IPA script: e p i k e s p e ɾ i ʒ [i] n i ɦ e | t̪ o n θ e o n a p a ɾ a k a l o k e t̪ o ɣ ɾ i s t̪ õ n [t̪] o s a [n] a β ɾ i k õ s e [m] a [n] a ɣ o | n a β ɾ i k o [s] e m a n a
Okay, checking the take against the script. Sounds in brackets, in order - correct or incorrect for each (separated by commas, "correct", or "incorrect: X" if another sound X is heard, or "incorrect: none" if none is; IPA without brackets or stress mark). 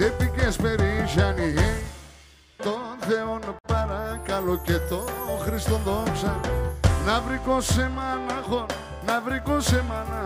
incorrect: a, incorrect: d̪, correct, correct, correct, correct